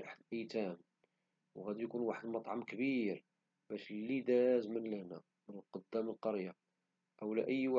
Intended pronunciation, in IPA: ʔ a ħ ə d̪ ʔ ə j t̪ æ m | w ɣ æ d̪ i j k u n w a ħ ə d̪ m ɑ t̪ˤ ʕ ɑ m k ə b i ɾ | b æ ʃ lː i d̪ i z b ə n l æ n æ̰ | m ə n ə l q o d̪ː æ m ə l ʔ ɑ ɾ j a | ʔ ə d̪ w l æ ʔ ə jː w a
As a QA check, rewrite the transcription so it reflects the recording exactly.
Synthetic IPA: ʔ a ħ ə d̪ ʔ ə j t̪ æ m | w ɣ æ d̪ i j k u n w a ħ ə d̪ m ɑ t̪ˤ ʕ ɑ m k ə b i ɾ | b æ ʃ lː i d̪ æ z m ə n l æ n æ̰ | m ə n ə l q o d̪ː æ m ə l q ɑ ɾ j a | ʔ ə w l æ ʔ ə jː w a